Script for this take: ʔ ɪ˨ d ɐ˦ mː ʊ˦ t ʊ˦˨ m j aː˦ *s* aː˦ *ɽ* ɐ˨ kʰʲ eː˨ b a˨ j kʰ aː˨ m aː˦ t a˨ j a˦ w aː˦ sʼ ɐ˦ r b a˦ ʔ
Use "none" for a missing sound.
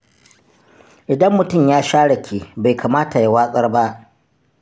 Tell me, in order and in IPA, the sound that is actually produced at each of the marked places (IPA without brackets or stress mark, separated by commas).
ʃ, ɽ